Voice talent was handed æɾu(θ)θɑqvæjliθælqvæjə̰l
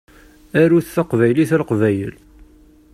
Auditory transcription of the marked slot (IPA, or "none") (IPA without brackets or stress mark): θ